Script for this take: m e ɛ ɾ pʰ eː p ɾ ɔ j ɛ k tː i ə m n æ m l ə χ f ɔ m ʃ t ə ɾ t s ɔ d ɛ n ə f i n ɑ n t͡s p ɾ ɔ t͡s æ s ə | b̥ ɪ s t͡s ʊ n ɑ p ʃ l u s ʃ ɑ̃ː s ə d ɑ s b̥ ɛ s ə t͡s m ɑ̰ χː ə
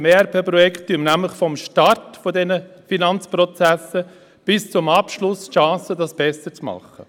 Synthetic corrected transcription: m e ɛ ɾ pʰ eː p ɾ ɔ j ɛ k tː y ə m n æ m l ə χ f ɔ m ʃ t ɑ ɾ t f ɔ d ɛ n ə f i n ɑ n t͡s p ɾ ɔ t͡s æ s ə | b̥ ɪ s t͡s ʊ m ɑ p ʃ l ʊ s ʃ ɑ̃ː s ə d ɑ s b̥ ɛ s ə t͡s m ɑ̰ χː ə

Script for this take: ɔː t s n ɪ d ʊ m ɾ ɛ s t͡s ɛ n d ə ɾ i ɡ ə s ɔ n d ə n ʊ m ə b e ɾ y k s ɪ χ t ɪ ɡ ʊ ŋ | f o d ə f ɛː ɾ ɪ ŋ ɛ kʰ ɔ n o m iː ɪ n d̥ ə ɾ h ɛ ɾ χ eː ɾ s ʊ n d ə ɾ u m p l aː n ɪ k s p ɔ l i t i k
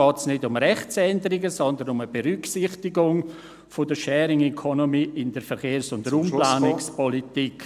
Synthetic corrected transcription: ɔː t s n ɪ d ʊ m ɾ ɛ χ t͡s ɛ n d ə ɾ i ɡ ə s ɔ n d ə n ʊ m ə b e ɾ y k s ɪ χ t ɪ ɡ ʊ ŋ | f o d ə ʃ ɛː ɾ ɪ ŋ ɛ kʰ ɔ n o m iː ɪ n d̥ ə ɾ f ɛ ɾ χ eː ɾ s ʊ n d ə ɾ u m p l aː n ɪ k s p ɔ l i t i k

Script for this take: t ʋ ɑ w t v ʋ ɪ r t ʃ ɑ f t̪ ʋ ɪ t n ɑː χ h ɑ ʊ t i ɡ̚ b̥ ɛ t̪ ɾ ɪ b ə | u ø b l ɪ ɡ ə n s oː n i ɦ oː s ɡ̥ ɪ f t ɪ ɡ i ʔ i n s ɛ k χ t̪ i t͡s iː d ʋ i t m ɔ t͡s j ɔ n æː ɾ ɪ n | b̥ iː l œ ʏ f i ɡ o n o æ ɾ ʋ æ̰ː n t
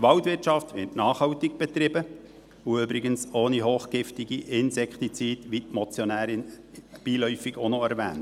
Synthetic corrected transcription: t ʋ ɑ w t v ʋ ɪ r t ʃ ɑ f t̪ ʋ ɪ t n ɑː χ h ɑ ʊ t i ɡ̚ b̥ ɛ t̪ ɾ ɪ b ə | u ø b ɾ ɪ ɡ ə n s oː n i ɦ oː χ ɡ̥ ɪ f t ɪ ɡ i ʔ ɪ n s ɛ k χ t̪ i t͡s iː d ʋ i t m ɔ t͡s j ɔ n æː ɾ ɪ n | b̥ iː l œ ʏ f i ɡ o n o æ ɾ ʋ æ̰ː n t

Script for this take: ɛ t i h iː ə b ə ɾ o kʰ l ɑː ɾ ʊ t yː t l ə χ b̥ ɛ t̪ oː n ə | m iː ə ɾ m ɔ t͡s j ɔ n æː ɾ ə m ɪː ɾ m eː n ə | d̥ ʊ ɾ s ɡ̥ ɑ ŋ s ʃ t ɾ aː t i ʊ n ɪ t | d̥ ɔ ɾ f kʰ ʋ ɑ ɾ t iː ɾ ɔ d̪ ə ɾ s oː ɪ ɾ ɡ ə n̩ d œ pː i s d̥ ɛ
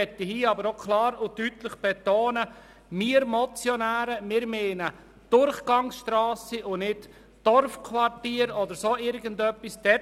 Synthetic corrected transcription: ɛ t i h iː ɑ b ə ɾ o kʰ l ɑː ɾ ʊ t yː t l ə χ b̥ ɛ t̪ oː n ə | m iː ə ɾ m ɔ t͡s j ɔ n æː ɾ ə m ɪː ɾ m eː n ə | d̥ ʊ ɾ χ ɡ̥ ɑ ŋ s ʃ t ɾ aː s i ʊ n ɪ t | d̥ ɔ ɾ f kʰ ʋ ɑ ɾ t iː ɾ ɔ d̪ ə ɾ s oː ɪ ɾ ɡ ə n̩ d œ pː i s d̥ ɛ

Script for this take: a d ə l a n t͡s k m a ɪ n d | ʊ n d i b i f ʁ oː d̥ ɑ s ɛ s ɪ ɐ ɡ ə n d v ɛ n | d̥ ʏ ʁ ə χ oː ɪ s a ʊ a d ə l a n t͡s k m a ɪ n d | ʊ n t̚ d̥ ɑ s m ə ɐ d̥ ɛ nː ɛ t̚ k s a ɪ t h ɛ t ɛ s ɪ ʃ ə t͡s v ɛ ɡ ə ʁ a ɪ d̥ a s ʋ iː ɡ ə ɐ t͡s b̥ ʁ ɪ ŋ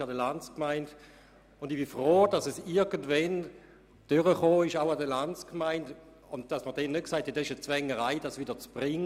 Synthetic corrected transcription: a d ə l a n t͡s k m a ɪ n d | ʊ n d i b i f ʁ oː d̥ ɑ s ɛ s ɪ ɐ ɡ ə n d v ɛ n | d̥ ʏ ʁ ə χ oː ɪ ʃ a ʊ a d ə l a n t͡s k m a ɪ n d | ʊ n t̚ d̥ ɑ s m ə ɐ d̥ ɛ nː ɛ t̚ k s a ɪ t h ɛ t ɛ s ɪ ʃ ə t͡s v ɛ ŋ ə ʁ a ɪ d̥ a s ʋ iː d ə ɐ t͡s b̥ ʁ ɪ ŋ

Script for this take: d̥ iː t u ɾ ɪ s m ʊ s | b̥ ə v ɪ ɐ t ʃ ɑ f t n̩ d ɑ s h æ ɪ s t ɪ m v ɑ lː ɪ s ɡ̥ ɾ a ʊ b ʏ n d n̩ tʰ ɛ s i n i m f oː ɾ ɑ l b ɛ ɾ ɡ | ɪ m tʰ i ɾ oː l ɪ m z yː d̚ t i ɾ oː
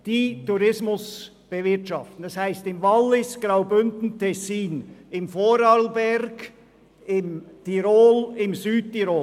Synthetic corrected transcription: d̥ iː t u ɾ ɪ s m ʊ s | b̥ ə v ɪ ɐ t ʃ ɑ f t n̩ d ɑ s h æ ɪ s t ɪ m v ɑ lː ɪ s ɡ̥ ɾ a ʊ b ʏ n d n̩ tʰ ɛ s iː n ɪ m f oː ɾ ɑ l b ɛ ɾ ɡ | ɪ m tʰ i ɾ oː l ɪ m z yː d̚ t i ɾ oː

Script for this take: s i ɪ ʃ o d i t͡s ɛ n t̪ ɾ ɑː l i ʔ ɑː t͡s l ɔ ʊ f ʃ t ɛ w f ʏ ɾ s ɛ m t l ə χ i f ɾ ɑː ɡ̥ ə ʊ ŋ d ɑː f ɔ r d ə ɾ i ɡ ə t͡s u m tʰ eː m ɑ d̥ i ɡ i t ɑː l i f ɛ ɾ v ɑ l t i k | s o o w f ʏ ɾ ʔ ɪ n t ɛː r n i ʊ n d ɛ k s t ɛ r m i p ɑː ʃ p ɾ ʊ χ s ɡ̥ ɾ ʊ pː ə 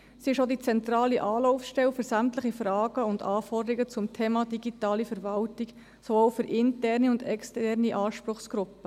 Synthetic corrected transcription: s i ɪ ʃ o d i t͡s ɛ n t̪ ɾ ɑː l i ʔ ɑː l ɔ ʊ f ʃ t ɛ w f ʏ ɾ s æ m t l ə χ i f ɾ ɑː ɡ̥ ə ʊ n d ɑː f ɔ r d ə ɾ i ɡ ə t͡s ʊ m tʰ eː m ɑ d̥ i ɡ i t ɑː l i f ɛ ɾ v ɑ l t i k | s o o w f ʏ ɾ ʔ ɪ n t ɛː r n i ʊ n d ɛ k s t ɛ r n i ʔ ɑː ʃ p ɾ ʊ χ s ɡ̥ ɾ ʊ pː ə

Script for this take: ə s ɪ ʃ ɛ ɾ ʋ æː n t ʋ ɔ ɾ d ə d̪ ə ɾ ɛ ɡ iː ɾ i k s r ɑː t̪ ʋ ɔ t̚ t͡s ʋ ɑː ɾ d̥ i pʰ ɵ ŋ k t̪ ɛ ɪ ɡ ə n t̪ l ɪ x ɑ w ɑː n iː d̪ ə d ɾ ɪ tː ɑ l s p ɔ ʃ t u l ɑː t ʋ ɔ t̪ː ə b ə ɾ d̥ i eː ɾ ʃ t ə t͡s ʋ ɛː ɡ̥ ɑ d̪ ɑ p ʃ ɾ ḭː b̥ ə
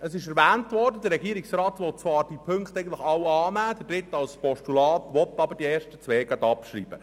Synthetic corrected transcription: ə s ɪ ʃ ɛ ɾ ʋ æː n t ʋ ɔ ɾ d ə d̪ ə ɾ ɛ ɡ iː ɾ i k s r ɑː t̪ ʋ ɔ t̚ t͡s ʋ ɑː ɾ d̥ i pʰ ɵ ŋ k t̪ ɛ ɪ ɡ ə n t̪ l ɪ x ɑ w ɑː n æː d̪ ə d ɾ ɪ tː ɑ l s p ɔ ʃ t u l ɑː t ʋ ɔ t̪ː ɑ b ə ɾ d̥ i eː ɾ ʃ t ə t͡s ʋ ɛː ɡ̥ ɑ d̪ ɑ p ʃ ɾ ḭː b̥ ə

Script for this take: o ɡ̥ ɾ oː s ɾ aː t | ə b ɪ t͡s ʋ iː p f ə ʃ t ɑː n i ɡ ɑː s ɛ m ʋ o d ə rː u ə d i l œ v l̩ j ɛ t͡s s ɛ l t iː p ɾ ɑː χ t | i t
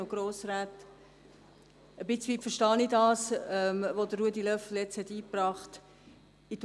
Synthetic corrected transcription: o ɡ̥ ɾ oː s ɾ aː t | ə b ɪ t͡s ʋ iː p f ə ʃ t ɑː n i d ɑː s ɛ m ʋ o d ə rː u ə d i l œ f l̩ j ɛ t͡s h ɛ t iː p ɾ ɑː χ t | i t

